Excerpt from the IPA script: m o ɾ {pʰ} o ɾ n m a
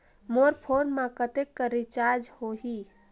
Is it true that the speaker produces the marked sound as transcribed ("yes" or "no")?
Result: yes